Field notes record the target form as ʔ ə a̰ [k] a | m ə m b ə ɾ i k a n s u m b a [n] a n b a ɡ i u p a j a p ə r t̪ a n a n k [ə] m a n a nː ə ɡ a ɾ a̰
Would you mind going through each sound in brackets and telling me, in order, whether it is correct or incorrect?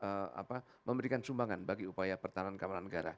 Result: incorrect, incorrect, incorrect

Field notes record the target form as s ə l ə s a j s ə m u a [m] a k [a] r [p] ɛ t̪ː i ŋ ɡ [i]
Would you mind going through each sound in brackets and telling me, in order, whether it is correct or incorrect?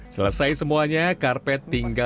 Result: incorrect, correct, correct, incorrect

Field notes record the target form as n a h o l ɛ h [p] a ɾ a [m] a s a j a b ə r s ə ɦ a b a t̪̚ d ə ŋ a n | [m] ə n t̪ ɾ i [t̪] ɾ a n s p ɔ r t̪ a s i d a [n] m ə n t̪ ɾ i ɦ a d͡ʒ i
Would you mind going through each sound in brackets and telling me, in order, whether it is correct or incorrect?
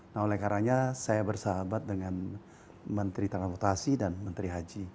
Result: incorrect, incorrect, correct, correct, correct

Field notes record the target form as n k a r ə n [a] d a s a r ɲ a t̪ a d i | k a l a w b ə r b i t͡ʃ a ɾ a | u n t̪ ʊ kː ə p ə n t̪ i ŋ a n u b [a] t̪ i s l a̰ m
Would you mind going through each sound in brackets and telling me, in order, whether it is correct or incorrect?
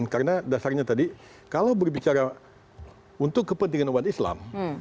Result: correct, correct

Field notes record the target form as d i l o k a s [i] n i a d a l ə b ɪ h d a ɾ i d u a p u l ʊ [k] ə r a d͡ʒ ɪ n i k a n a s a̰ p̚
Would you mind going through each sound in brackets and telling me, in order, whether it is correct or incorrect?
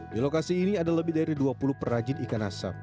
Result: incorrect, incorrect

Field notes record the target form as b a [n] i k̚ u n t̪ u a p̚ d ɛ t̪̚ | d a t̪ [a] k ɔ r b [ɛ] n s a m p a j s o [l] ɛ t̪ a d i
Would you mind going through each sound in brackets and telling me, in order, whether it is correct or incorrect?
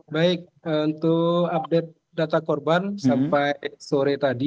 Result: incorrect, correct, incorrect, incorrect

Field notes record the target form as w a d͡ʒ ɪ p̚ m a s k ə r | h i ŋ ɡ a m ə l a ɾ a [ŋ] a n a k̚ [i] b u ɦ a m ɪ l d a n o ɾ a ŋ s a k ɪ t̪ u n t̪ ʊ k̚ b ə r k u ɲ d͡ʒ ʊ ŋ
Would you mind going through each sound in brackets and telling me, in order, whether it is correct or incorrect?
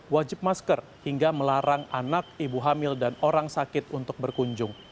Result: correct, correct

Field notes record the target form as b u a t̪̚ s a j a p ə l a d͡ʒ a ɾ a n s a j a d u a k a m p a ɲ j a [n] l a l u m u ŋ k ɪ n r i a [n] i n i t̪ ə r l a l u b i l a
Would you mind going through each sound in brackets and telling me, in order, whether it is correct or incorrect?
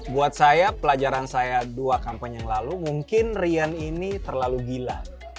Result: incorrect, correct

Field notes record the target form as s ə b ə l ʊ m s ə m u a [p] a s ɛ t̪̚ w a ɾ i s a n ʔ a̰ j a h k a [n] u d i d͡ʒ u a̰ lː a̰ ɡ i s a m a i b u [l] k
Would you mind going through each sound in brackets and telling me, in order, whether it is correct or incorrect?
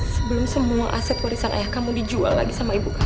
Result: incorrect, incorrect, incorrect

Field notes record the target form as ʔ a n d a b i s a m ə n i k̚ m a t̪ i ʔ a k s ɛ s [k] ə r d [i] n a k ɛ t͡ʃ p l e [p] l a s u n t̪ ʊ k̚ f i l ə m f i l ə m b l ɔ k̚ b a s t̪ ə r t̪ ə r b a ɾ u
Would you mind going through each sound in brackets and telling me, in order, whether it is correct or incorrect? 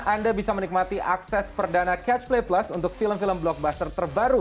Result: incorrect, incorrect, correct

